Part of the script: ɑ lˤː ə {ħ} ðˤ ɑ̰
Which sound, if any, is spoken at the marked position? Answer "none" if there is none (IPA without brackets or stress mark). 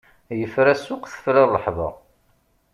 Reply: ħ